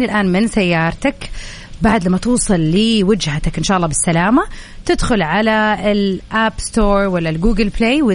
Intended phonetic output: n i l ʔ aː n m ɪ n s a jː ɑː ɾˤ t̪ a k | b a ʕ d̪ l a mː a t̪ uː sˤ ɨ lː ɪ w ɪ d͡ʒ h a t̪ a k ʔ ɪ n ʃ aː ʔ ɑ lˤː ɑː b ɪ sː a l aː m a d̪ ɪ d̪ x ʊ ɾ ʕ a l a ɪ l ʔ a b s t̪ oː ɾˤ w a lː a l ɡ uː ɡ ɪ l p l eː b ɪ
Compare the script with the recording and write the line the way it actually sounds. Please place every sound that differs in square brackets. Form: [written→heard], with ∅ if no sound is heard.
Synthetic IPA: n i l ʔ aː n m ɪ n s a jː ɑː ɾˤ t̪ a k | b a ʕ d̪ l a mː a t̪ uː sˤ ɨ lː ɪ w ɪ d͡ʒ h a t̪ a k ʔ ɪ n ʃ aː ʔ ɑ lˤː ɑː b ɪ sː a l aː m a [d̪→t̪] ɪ d̪ x ʊ [ɾ→l] ʕ a l a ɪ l ʔ a b s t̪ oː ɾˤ w a lː a l ɡ uː ɡ ɪ l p l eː [b→w] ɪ